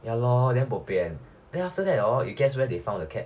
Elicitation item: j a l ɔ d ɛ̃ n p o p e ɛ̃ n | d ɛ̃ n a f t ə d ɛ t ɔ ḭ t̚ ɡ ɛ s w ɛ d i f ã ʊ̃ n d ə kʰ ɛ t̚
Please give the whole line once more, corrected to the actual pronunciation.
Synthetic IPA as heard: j a l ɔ d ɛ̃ n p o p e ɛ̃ n | d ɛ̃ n a f t ə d ɛ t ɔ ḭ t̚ ɡ ɛ s w ɛ d e f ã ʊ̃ n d ə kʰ ɛ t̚